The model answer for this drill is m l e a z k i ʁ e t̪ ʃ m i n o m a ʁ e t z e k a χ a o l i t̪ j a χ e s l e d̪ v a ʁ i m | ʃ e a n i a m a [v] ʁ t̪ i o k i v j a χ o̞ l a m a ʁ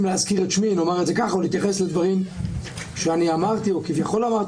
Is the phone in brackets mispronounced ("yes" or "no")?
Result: yes